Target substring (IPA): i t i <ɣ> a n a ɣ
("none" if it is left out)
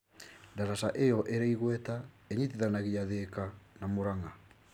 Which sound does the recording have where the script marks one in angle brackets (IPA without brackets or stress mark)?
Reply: ð